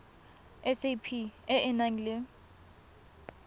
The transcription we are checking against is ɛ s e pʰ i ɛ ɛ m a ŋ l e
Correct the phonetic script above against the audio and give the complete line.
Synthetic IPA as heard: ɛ s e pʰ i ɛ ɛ n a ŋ l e